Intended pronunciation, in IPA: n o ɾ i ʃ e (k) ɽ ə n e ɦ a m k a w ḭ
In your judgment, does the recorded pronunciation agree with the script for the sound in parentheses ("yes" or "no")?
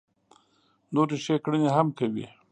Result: yes